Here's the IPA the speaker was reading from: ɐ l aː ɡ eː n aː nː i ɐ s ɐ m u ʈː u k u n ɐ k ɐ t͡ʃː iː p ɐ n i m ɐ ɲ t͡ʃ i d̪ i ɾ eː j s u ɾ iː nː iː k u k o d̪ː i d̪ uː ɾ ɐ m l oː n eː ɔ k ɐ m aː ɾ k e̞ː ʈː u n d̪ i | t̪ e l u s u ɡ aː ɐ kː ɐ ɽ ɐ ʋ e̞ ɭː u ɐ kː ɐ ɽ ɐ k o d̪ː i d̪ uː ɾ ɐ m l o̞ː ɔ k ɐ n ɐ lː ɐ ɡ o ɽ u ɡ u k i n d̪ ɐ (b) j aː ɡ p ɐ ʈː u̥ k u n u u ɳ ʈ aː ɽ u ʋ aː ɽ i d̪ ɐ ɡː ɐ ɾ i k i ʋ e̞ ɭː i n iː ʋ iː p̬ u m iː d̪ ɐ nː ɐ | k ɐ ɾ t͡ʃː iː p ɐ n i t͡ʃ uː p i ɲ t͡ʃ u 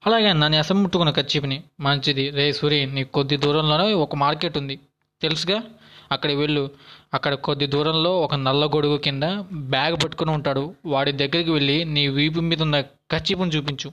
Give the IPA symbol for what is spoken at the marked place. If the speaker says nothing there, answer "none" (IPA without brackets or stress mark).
b